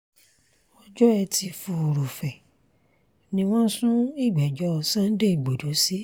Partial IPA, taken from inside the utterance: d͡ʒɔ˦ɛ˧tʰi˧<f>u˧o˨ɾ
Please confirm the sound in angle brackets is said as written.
yes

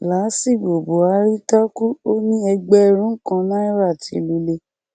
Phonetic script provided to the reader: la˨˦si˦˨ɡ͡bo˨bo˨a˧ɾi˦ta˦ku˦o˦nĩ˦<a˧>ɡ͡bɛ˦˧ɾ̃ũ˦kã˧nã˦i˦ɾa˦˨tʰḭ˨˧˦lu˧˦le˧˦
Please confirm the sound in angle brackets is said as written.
no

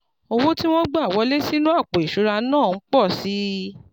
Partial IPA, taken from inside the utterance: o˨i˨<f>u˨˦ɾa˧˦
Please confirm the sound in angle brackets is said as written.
no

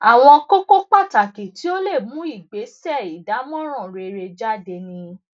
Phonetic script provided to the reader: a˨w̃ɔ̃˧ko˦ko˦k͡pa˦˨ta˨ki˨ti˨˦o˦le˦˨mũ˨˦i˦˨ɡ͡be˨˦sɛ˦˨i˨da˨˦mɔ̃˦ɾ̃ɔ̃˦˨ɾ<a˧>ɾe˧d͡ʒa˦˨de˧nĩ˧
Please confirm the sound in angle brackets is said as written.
no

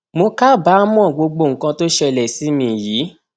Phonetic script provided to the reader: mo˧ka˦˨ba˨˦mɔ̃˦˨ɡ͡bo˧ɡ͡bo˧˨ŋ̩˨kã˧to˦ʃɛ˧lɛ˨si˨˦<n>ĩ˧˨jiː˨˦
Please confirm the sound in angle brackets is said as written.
no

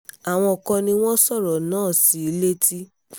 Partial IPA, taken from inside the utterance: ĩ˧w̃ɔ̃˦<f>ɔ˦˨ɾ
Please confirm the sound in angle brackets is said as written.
no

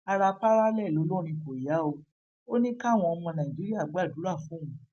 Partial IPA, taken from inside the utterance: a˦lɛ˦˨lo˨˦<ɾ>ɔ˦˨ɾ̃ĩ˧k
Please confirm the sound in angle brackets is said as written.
no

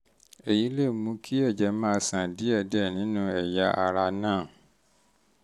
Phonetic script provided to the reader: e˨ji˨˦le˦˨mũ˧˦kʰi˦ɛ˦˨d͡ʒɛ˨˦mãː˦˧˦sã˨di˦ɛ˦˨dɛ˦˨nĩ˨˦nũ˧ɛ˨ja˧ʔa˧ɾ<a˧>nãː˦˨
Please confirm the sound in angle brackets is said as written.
yes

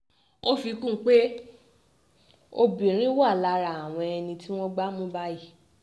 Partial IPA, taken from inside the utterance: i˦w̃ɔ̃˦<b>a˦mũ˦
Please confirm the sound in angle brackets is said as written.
no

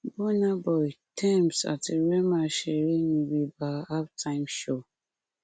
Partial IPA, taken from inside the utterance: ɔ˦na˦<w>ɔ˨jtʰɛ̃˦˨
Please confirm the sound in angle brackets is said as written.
no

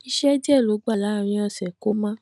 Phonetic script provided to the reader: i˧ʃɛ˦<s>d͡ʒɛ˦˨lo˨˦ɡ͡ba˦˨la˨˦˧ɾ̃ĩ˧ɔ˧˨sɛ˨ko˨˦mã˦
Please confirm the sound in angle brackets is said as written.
no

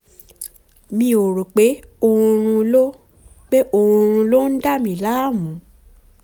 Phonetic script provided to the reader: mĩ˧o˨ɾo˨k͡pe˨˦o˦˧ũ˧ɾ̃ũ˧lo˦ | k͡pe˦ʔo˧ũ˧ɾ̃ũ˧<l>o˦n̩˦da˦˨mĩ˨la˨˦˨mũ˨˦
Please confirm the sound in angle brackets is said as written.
yes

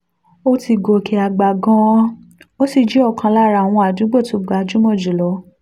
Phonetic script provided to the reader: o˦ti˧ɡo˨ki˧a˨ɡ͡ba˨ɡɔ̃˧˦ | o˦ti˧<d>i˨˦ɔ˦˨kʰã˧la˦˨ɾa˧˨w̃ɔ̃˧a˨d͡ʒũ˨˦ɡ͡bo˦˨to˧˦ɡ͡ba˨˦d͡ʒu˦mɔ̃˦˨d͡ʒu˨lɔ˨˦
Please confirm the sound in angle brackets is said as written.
no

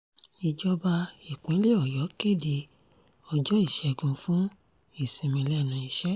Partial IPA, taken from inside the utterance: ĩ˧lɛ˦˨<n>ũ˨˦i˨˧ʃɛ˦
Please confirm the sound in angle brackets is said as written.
yes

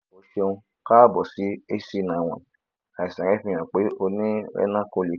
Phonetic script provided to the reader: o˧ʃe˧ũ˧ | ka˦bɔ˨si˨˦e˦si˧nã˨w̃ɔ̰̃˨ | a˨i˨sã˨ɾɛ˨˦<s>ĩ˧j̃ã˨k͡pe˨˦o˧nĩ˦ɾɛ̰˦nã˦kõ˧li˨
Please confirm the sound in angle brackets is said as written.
no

